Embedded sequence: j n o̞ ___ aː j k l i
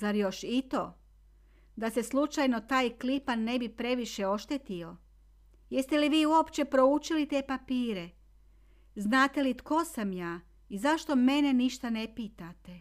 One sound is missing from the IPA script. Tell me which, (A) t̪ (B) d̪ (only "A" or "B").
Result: A